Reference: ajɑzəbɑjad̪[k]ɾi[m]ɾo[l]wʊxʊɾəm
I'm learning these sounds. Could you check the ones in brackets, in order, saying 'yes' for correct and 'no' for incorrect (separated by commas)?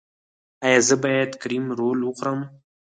yes, yes, yes